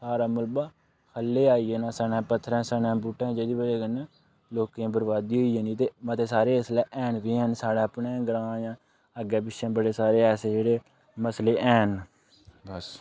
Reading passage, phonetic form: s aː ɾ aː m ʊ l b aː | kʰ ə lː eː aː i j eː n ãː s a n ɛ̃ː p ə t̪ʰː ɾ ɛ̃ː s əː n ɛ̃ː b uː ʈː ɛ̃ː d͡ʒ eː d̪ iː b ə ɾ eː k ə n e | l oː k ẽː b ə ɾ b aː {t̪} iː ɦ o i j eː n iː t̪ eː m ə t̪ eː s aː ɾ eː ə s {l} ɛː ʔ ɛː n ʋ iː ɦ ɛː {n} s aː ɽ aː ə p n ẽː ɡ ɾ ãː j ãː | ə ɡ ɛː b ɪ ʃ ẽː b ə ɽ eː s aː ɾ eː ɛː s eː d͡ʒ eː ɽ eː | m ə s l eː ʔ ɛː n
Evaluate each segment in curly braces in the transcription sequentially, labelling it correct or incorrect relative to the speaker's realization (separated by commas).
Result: incorrect, correct, correct